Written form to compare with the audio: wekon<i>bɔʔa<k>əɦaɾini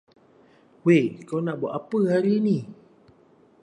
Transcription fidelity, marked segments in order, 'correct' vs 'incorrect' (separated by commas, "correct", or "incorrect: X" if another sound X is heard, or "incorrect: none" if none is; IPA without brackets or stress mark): incorrect: a, incorrect: p